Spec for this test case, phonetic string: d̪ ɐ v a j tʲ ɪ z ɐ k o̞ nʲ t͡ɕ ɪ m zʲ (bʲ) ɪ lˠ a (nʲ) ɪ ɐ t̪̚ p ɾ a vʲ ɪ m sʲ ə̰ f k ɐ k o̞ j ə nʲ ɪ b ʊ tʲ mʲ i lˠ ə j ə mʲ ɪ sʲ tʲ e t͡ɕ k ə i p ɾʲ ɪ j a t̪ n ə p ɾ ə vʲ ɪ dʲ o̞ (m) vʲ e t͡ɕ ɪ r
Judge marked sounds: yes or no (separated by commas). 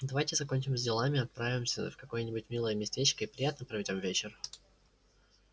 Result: no, no, yes